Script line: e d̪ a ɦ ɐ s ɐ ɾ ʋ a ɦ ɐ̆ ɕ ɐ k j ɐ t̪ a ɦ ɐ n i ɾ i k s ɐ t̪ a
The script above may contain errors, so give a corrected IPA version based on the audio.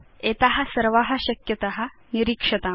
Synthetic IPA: e t̪ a ɦ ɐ s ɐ ɾ ʋ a ɦ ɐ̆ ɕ ɐ k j ɐ t̪ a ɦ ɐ n i ɾ i k ʂ ɐ t̪ a